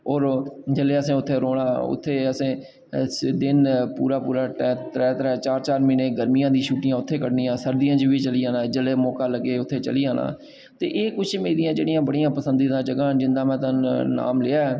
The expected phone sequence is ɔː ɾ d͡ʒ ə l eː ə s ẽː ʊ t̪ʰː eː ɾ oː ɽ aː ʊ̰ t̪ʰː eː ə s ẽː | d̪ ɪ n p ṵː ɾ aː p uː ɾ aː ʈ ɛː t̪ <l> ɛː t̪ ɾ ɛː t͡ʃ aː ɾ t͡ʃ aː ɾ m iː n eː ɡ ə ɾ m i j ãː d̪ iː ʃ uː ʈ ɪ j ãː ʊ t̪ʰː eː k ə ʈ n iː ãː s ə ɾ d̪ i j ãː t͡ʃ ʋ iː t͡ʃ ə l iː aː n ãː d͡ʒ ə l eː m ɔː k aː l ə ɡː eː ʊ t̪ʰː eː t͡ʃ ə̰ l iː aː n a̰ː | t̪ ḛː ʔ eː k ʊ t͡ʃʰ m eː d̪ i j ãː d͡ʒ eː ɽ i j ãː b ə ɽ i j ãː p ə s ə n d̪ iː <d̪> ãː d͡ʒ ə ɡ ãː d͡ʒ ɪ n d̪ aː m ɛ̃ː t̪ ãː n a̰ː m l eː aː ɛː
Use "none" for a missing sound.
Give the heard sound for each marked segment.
ɾ, d̪

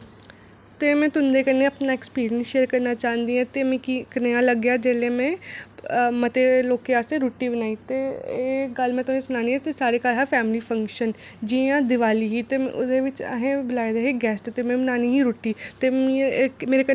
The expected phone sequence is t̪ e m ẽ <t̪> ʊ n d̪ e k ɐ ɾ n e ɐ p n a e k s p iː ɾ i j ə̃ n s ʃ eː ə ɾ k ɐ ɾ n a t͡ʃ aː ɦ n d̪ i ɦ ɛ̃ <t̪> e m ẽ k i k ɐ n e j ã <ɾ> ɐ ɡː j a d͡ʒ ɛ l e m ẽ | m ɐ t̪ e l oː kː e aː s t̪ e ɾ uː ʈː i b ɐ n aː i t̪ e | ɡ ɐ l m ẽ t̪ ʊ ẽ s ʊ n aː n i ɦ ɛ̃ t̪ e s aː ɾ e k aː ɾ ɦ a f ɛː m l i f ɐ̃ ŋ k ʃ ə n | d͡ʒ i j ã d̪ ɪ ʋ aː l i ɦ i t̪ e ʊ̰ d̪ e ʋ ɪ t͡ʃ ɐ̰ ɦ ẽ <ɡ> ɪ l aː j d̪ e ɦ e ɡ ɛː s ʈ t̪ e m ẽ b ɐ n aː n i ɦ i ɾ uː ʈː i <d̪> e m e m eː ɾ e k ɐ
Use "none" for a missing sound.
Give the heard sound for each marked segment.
t̪, t̪, l, b, t̪

